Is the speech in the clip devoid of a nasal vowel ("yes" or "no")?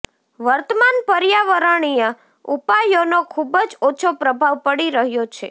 yes